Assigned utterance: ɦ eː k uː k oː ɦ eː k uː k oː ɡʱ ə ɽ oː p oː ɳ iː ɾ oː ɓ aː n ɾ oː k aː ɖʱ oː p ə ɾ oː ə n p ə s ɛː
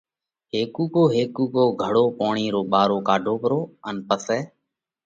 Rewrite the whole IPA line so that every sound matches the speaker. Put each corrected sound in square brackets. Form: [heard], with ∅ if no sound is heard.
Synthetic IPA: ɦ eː k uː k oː ɦ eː k uː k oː ɡʱ ə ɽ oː p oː ɳ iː ɾ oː ɓ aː [∅] ɾ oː k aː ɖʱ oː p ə ɾ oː ə n p ə s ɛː

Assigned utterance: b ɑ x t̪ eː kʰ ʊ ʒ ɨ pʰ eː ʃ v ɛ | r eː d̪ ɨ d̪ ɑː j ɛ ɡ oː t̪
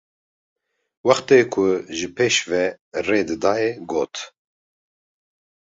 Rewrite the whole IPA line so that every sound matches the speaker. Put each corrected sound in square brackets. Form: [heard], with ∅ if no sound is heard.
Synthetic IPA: [w] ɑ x t̪ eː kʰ ʊ ʒ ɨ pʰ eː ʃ v ɛ | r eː d̪ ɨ d̪ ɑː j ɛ ɡ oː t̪

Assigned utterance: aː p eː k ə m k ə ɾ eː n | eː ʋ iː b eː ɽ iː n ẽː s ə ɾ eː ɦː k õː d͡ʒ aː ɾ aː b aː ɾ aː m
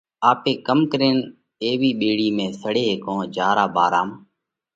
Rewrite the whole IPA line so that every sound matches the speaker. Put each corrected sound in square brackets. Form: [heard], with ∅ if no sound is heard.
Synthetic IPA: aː p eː k ə m k ə ɾ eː n | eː ʋ iː [ɓ] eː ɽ iː [m] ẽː s ə [ɽ] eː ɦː k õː d͡ʒ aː ɾ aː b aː ɾ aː m

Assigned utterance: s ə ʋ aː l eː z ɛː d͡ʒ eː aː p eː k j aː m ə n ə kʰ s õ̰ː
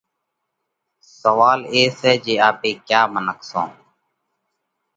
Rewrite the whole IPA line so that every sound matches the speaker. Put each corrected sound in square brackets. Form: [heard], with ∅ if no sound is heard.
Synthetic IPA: s ə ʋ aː l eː [s] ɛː d͡ʒ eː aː p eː k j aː m ə n ə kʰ s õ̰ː

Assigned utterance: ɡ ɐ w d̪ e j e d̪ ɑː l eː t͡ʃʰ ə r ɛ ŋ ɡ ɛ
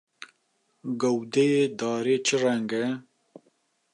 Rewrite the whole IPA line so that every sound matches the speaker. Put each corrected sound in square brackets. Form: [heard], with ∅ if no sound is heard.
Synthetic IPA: ɡ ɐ w d̪ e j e d̪ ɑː [ɾ] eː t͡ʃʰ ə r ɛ ŋ ɡ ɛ

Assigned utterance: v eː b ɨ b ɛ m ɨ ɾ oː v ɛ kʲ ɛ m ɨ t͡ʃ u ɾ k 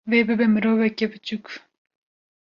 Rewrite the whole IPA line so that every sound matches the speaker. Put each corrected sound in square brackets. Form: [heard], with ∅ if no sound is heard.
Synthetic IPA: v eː b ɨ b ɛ m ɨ ɾ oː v ɛ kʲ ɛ [b] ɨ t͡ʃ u [∅] k

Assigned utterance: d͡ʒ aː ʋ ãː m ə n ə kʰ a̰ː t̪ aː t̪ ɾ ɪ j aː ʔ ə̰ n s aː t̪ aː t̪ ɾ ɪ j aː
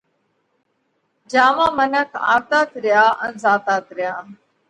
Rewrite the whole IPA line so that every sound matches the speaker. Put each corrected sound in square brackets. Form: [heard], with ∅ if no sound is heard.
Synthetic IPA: d͡ʒ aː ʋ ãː m ə n ə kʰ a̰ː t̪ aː t̪ ɾ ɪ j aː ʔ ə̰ n [z] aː t̪ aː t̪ ɾ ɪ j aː

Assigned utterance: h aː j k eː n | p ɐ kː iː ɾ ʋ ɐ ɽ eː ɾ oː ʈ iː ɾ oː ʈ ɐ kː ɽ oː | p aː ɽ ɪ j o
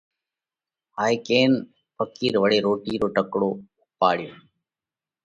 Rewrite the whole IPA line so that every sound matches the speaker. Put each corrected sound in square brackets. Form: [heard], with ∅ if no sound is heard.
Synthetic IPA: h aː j k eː n | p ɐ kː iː ɾ ʋ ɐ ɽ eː ɾ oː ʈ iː ɾ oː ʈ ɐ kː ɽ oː | p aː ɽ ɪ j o

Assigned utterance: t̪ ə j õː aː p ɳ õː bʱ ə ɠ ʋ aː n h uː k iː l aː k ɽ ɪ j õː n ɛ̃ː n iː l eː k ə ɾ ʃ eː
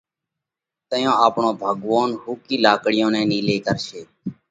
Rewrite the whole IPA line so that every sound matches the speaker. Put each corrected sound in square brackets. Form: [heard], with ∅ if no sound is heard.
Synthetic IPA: t̪ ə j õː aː p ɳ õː bʱ ə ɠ ʋ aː n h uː k iː l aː k ɽ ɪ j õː n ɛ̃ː n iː l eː k ə ɾ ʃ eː

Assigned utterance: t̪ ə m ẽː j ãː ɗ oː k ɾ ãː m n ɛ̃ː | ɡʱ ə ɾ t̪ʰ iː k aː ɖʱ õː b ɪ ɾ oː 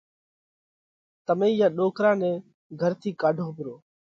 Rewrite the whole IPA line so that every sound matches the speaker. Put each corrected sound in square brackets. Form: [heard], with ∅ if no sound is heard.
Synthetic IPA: t̪ ə m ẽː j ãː ɗ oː k ɾ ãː [∅] n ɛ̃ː | ɡʱ ə ɾ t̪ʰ iː k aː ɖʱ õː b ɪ ɾ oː

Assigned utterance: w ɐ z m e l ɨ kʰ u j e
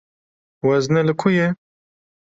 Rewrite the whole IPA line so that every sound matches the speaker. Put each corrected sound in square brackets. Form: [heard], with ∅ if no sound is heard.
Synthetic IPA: w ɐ z [n] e l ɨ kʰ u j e

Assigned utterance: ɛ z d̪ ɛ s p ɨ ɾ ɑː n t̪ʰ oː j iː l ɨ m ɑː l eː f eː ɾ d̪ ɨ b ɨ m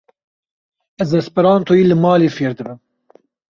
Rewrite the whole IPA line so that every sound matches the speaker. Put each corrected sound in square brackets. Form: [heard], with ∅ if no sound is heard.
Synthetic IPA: ɛ z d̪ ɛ s p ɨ ɾ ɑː n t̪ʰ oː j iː l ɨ m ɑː l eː f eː ɾ d̪ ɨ b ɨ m

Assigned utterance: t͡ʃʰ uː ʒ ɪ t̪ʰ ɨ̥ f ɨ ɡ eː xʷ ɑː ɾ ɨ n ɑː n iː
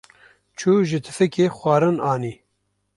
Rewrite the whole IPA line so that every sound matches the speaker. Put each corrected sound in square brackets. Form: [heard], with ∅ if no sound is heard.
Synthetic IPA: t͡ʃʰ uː ʒ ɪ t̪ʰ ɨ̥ f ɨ [k] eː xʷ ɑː ɾ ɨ n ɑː n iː

